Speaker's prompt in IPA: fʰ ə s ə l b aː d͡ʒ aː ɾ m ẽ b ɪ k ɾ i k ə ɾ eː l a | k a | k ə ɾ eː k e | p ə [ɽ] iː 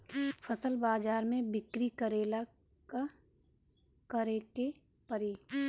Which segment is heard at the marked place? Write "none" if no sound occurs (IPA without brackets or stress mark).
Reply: ɾ